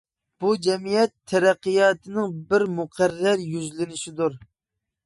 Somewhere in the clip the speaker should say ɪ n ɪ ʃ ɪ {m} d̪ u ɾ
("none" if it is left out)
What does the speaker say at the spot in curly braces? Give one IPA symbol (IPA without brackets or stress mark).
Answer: none